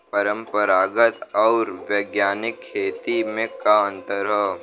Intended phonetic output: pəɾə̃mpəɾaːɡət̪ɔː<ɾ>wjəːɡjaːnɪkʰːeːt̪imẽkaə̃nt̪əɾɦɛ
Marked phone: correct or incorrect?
correct